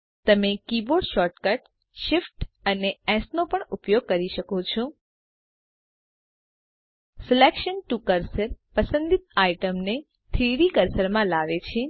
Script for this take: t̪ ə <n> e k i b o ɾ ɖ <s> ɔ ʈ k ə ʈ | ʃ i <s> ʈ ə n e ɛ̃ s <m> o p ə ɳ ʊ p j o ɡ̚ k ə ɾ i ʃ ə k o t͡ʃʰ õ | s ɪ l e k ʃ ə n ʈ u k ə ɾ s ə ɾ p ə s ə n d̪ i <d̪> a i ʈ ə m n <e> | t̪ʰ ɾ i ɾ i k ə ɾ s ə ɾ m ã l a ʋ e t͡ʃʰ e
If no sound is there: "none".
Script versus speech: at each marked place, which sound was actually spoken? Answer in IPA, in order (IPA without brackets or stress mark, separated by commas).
m, ʃ, f, n, t̪, e